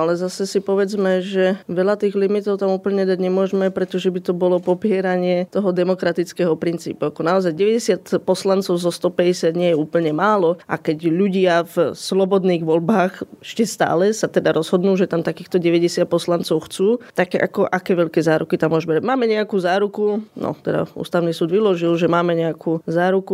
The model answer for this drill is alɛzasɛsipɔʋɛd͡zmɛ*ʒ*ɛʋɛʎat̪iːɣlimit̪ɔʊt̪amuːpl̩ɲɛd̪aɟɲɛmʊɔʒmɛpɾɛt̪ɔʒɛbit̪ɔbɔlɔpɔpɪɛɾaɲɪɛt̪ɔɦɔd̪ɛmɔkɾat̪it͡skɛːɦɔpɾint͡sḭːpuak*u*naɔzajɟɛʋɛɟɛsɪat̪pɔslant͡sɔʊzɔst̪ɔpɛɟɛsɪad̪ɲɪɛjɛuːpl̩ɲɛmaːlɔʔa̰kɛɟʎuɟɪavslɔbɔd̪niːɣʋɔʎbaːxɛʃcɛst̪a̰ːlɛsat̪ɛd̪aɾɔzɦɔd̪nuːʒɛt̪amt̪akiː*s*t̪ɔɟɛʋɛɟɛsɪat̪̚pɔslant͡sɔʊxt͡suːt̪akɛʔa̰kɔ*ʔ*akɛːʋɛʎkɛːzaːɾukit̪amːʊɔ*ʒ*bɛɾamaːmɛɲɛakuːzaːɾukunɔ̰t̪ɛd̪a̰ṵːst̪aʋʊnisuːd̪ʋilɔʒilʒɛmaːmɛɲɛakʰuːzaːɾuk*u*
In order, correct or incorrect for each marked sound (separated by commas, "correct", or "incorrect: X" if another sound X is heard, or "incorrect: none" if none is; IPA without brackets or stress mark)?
correct, incorrect: ɔ, incorrect: x, correct, correct, correct